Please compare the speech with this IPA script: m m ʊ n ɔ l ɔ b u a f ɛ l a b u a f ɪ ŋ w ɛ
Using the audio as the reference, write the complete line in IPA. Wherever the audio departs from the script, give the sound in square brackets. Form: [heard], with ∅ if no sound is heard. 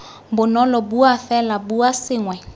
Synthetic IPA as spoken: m [b] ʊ n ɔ l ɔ b u a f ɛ l a b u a [s] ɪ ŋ w ɛ